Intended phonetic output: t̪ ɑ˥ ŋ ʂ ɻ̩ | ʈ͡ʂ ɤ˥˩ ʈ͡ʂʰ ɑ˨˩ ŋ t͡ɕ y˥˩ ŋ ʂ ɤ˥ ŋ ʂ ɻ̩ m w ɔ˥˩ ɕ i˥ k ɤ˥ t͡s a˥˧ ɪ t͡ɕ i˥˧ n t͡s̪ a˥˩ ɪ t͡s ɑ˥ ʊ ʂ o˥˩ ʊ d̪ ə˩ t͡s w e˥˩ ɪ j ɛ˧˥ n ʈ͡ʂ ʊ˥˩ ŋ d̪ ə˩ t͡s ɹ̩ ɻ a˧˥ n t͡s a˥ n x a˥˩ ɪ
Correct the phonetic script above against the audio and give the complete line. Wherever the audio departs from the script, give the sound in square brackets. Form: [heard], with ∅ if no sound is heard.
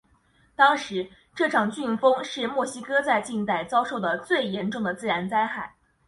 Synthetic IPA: t̪ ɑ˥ ŋ ʂ ɻ̩ | ʈ͡ʂ ɤ˥˩ ʈ͡ʂʰ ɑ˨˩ ŋ t͡ɕ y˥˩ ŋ [f] ɤ˥ ŋ ʂ ɻ̩ m w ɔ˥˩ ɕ i˥ k ɤ˥ t͡s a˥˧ ɪ t͡ɕ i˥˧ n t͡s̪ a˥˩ ɪ t͡s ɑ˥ ʊ ʂ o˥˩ ʊ d̪ ə˩ t͡s w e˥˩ ɪ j ɛ˧˥ n ʈ͡ʂ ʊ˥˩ ŋ d̪ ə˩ t͡s ɹ̩ ɻ a˧˥ n t͡s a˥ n x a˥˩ ɪ